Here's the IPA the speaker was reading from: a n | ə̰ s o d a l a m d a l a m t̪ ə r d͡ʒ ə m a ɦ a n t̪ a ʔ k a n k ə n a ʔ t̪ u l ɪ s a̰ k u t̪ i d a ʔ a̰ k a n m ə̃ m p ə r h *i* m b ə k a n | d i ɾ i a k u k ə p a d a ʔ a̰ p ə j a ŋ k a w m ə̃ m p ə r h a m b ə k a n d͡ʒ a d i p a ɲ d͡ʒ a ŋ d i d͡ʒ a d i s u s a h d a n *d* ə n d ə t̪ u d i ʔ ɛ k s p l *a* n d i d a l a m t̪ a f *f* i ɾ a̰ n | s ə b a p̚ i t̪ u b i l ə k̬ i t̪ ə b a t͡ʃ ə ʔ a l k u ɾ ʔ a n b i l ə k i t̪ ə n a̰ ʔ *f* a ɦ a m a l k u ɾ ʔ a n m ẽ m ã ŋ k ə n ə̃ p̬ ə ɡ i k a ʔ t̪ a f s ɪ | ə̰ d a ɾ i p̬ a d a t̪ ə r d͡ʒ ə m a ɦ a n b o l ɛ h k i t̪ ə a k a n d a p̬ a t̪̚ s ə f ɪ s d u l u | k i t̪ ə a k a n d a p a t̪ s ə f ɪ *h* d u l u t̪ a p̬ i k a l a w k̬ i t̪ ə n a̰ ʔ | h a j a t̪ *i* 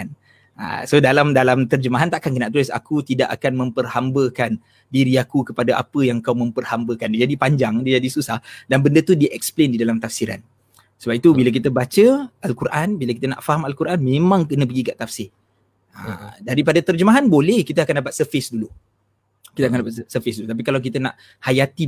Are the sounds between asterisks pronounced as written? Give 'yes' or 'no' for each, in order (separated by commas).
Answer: no, no, no, no, yes, no, yes